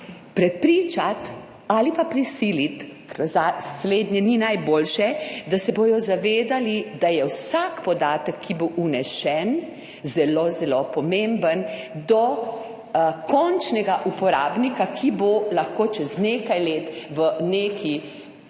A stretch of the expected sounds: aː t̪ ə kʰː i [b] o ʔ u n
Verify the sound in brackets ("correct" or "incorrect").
correct